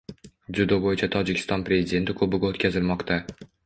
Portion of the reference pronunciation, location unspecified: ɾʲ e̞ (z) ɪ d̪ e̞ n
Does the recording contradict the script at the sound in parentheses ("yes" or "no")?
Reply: no